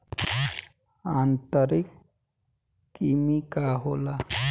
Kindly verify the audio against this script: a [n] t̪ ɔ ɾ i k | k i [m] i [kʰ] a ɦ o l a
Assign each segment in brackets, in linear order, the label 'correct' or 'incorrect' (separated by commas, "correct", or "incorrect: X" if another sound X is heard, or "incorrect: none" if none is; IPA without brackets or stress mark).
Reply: correct, correct, incorrect: k